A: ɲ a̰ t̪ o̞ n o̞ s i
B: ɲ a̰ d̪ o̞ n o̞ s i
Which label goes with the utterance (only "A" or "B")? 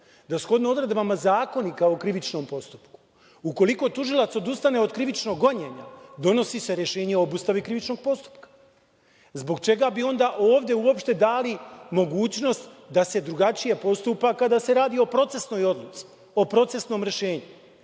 B